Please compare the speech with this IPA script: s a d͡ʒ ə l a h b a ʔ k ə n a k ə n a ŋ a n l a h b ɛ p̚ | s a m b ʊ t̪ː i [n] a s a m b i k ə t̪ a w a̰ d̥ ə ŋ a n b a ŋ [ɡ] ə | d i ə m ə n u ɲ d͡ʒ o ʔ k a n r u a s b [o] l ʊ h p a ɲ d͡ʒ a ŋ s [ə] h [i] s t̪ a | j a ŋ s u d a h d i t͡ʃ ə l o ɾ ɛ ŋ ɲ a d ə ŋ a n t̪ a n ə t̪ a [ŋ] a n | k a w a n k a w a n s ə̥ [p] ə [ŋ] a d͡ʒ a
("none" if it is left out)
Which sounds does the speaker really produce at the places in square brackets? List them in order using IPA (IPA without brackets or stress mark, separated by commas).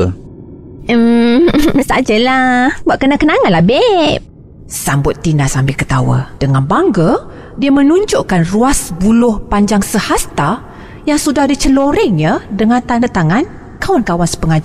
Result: n, ɡ, u, ə, a, ŋ, p, ŋ